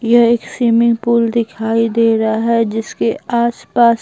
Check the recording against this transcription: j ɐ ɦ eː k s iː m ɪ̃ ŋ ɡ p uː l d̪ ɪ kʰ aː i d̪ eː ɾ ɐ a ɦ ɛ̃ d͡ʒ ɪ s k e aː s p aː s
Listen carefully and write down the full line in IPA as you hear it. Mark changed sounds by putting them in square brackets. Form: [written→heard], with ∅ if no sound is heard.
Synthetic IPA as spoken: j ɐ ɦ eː k s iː m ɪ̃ ŋ ɡ p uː l d̪ ɪ kʰ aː i d̪ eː ɾ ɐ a ɦ [ɛ̃→ɛ] d͡ʒ ɪ s k e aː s p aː s